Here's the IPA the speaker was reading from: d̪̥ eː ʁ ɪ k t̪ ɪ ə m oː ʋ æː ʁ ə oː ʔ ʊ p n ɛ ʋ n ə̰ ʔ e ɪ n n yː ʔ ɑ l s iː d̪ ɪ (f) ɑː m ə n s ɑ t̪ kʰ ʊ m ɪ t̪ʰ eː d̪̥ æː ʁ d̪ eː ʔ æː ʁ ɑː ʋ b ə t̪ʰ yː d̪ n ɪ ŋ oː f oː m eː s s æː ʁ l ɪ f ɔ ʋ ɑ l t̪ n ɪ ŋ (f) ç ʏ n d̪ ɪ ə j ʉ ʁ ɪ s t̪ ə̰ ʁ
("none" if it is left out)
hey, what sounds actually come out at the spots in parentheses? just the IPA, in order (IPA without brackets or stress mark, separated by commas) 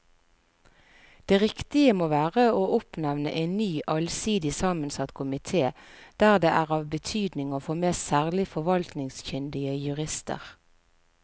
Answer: s, s